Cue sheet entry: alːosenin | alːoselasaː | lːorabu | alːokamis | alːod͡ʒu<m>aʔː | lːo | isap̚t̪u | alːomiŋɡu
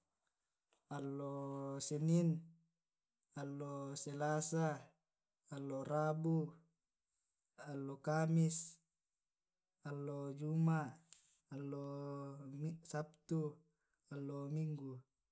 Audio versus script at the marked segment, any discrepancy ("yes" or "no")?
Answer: no